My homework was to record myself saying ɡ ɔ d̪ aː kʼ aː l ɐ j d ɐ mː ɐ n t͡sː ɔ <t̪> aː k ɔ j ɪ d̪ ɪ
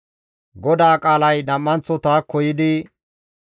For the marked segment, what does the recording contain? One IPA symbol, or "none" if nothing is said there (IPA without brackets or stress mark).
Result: t̪